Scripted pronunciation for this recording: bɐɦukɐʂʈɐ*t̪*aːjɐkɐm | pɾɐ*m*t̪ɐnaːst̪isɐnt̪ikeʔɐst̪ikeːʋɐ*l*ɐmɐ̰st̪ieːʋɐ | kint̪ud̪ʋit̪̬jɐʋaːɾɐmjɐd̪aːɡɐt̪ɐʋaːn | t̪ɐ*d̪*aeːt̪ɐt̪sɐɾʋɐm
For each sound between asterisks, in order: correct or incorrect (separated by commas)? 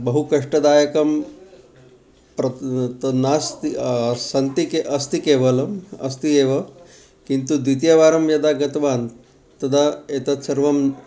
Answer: incorrect, incorrect, correct, correct